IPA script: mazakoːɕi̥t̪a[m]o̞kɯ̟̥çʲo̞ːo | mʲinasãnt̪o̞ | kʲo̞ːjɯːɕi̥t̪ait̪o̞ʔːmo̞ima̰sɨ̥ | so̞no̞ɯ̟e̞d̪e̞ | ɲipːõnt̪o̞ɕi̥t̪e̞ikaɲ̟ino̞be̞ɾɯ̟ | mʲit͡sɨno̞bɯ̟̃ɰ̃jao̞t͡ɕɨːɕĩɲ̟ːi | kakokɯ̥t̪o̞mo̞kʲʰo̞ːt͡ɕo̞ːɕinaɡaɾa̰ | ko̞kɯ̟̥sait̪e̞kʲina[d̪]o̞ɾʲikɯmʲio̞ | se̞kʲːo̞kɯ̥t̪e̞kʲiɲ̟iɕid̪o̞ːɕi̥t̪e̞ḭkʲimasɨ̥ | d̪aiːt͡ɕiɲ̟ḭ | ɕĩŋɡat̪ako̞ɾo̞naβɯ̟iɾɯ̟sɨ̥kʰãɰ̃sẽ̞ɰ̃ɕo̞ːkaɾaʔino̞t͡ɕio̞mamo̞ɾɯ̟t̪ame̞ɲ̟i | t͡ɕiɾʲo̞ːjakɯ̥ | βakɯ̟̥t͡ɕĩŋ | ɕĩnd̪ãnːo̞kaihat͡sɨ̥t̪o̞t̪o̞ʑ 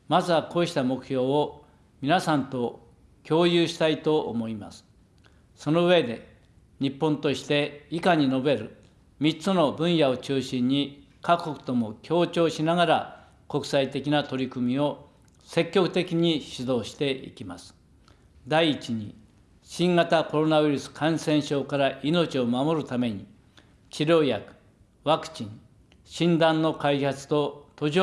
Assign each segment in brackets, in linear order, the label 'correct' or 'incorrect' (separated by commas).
correct, incorrect